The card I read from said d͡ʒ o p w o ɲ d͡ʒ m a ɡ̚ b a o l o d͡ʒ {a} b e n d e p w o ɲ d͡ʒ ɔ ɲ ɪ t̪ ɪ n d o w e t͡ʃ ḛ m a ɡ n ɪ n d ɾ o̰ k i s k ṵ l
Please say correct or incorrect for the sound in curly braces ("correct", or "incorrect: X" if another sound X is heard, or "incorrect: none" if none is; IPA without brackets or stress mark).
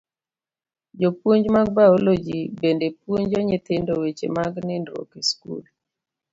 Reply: incorrect: i